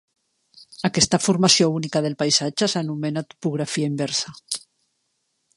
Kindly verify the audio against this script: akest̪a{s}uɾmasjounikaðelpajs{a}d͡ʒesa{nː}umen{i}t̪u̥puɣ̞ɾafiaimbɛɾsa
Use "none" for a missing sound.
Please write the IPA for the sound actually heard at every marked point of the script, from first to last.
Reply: f, a, n, a

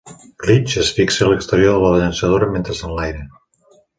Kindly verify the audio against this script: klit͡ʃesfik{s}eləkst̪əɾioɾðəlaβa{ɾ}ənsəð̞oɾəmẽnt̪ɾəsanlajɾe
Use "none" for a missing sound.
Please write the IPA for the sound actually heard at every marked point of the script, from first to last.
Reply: s, ʎ

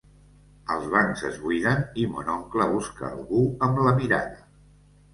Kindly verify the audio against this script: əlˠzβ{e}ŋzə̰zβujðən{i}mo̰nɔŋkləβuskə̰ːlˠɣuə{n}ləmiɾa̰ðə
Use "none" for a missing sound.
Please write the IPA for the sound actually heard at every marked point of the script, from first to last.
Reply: a, i, m

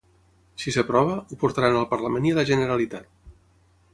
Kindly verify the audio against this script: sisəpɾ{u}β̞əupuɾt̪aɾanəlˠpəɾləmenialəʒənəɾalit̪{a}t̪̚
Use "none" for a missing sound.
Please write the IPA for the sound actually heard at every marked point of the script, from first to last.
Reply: ɔ, a

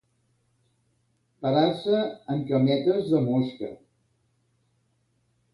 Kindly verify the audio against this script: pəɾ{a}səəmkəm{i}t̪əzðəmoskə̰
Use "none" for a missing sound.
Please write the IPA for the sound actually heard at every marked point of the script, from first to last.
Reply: a, ɛ

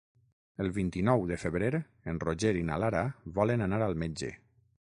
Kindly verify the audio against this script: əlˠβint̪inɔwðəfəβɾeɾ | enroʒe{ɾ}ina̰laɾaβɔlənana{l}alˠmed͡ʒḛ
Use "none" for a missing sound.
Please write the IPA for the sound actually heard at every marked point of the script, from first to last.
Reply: ɾ, ɾ

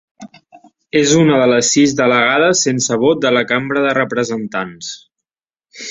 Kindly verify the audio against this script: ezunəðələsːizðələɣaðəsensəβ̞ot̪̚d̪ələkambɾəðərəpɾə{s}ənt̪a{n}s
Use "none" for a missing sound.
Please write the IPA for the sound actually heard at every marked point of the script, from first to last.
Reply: z, n

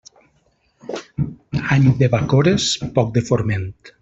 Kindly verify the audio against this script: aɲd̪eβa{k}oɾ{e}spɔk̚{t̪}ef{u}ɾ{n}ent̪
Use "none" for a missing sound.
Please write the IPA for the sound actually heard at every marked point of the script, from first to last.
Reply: k, e, d̪, o, m

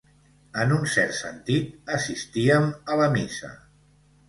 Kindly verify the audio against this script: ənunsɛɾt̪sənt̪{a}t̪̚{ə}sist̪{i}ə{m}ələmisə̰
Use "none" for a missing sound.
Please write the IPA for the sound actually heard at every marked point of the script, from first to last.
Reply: i, ə, i, m

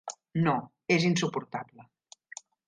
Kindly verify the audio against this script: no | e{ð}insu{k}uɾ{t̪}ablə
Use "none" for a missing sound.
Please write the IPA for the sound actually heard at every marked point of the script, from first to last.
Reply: z, p, t̪

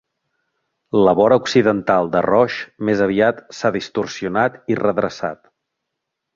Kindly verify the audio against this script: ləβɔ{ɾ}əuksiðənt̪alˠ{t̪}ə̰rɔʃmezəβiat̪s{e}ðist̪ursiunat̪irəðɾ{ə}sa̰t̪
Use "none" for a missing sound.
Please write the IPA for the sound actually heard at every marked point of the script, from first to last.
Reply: ɾ, d̪, a, ə

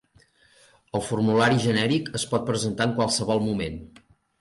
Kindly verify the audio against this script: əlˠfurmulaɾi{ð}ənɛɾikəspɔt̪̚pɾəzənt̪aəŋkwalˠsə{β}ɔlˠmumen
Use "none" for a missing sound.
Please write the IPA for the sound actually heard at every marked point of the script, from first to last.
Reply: ʒ, β

